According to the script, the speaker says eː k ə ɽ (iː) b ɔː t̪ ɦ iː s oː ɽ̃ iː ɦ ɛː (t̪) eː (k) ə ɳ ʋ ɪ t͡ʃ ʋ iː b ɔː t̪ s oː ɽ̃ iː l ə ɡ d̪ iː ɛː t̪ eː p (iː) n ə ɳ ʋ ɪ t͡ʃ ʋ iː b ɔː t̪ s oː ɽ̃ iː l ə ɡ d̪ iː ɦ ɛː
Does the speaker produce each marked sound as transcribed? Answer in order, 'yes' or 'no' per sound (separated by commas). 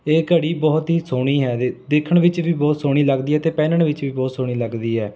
yes, no, no, no